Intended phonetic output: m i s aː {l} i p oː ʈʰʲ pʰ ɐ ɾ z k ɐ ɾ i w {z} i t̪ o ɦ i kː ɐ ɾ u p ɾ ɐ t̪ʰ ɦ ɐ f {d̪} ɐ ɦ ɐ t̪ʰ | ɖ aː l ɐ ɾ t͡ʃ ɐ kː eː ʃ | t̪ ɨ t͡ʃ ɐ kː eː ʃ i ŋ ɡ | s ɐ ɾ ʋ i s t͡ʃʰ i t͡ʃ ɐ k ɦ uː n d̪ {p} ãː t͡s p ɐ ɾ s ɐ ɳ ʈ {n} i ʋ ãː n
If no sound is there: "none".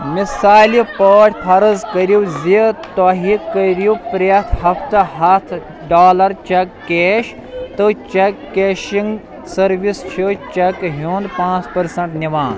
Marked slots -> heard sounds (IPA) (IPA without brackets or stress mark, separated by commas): l, z, t̪, p, n